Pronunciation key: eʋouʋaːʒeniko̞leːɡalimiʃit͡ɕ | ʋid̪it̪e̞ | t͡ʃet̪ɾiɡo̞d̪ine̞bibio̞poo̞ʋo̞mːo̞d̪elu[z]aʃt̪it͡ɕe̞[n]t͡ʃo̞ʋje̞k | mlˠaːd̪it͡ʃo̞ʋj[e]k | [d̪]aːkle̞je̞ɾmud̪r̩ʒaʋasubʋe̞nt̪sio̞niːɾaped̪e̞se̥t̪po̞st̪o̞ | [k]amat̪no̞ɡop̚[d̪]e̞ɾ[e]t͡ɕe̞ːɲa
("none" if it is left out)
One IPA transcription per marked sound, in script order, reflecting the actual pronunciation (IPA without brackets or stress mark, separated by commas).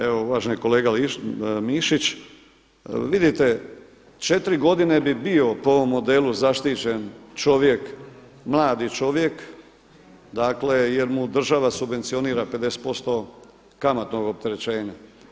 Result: z, n, e, d̪, k, t̪, e